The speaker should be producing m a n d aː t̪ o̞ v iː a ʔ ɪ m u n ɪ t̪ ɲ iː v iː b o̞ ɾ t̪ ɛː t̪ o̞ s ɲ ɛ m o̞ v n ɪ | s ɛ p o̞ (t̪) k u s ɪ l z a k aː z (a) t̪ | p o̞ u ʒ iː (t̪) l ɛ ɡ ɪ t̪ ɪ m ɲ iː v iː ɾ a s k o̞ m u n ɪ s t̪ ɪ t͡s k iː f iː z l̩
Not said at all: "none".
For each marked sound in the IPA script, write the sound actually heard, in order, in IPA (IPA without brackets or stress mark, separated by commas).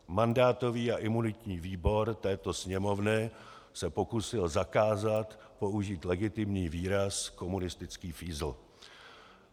none, a, t̪